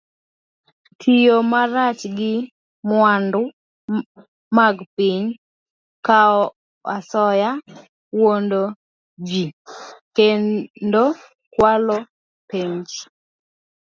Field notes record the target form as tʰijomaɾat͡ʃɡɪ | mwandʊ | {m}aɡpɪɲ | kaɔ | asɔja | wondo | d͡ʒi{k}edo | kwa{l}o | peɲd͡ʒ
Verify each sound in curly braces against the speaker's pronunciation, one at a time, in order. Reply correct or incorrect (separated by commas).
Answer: correct, correct, correct